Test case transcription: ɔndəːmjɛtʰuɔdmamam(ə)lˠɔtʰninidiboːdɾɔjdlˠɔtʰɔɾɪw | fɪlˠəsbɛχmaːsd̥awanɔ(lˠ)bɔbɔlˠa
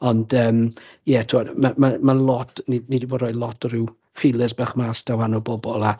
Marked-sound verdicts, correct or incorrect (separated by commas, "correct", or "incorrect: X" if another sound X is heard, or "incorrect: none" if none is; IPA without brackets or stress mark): incorrect: a, incorrect: none